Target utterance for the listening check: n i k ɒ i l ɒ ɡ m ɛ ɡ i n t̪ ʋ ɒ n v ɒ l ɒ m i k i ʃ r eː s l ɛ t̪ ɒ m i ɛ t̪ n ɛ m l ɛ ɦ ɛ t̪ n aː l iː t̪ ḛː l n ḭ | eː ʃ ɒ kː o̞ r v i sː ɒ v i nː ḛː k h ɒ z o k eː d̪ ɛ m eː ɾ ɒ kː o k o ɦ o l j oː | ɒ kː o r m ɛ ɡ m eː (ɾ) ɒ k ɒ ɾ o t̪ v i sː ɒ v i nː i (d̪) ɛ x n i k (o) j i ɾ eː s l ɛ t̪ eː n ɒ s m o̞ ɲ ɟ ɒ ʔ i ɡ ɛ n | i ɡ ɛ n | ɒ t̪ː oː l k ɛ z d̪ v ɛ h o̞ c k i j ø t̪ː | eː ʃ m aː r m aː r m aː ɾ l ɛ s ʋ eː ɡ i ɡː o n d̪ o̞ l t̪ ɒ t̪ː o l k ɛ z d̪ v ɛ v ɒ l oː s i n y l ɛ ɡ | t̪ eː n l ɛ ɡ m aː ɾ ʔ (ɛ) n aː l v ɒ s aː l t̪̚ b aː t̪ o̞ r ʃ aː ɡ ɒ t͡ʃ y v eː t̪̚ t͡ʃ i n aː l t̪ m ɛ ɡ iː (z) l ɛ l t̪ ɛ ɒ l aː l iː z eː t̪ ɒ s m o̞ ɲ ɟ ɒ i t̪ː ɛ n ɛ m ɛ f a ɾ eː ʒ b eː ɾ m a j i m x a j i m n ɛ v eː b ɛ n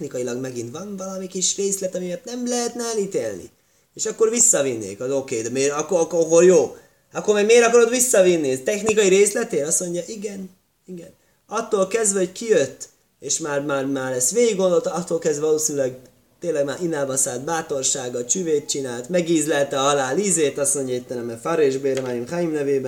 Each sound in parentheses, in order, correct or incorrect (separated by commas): correct, incorrect, incorrect, incorrect, correct